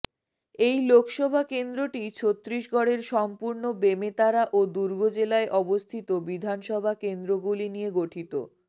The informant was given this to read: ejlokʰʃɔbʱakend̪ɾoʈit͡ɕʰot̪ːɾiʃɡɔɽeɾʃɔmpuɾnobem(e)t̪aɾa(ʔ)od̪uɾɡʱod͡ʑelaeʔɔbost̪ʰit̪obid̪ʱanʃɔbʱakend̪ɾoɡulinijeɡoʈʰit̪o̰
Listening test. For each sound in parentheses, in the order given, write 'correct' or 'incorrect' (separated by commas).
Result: correct, correct